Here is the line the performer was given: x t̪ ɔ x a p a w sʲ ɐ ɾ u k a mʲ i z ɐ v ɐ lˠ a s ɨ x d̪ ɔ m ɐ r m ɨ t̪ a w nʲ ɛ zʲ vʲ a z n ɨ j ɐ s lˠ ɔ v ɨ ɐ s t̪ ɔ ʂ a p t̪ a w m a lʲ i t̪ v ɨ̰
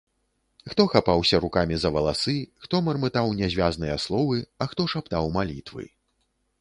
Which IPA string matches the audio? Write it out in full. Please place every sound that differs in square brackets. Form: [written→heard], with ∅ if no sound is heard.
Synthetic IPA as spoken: x t̪ ɔ x a p a w sʲ ɐ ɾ u k a mʲ i z ɐ v ɐ lˠ a s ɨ x [d̪→t̪] ɔ m ɐ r m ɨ t̪ a w nʲ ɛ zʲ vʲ a z n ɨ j ɐ s lˠ ɔ v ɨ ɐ [s→x] t̪ ɔ ʂ a p t̪ a w m a lʲ i t̪ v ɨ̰